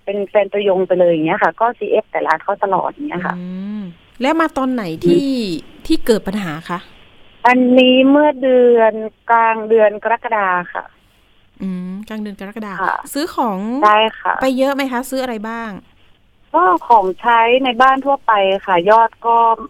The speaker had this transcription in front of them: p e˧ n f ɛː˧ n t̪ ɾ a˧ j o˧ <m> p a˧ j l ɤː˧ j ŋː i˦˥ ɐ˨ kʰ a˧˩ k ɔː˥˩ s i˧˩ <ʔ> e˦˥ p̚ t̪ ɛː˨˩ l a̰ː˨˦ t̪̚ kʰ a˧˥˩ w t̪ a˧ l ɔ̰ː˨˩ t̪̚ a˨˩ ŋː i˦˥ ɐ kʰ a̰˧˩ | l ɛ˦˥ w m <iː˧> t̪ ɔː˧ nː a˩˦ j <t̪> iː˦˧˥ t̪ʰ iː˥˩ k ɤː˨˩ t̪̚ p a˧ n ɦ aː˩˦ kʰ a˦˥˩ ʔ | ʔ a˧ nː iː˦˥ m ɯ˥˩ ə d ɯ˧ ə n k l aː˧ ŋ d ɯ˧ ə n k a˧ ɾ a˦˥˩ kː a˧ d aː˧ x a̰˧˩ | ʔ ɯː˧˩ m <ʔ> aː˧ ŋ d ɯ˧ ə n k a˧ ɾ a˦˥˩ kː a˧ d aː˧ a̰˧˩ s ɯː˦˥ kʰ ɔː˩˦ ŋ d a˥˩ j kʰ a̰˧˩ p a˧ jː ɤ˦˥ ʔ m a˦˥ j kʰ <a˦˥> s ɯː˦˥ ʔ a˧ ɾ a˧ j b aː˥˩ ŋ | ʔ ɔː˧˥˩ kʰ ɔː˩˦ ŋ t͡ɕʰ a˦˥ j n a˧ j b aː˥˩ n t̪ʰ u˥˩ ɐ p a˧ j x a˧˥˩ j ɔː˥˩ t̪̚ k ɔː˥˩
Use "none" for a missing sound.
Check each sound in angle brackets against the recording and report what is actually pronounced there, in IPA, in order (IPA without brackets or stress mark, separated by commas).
ŋ, ʔ, aː˧, t̪ʰ, k, a˦˥